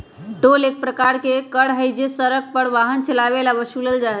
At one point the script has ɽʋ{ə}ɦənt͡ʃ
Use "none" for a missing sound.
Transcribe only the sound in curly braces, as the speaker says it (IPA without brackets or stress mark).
a